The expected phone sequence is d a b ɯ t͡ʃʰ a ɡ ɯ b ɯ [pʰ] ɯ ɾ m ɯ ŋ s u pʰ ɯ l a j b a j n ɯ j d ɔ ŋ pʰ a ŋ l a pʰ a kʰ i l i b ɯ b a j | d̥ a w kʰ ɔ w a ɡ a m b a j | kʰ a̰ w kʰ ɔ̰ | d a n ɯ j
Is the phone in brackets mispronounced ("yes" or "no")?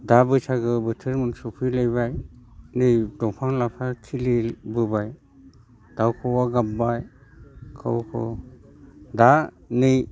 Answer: yes